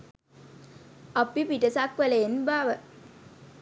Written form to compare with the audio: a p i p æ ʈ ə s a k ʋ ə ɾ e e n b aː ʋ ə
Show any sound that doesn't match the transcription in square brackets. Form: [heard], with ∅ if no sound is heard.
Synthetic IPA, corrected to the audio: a p i p [i] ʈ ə s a k ʋ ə [l] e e n b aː ʋ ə